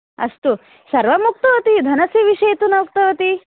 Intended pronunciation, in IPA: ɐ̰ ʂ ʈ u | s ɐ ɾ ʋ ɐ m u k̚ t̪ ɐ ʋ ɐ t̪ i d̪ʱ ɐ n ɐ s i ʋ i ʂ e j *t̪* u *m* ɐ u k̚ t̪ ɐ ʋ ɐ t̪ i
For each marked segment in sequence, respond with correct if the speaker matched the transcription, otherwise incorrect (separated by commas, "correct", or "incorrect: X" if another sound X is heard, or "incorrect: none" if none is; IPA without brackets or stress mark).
correct, incorrect: n